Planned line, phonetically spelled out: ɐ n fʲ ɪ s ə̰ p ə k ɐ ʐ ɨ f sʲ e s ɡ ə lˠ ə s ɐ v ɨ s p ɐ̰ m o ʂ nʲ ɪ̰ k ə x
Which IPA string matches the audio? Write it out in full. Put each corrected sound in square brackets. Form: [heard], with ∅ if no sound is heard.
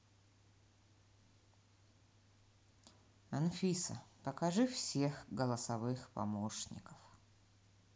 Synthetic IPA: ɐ n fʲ [i] s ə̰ p ə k ɐ ʐ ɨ f sʲ e [x] ɡ ə lˠ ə s ɐ v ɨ [x] p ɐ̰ m o ʂ nʲ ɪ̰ k ə [f]